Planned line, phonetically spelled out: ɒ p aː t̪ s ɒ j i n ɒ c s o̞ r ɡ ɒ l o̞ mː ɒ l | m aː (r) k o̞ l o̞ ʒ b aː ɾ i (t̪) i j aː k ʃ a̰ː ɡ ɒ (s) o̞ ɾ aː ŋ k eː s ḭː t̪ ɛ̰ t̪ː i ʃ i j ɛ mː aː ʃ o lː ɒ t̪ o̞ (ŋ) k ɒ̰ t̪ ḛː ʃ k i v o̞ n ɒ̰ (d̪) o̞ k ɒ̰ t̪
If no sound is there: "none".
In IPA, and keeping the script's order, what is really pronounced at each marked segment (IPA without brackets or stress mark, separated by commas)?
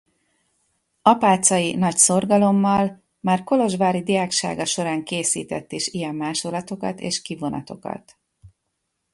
r, d̪, ʃ, none, t̪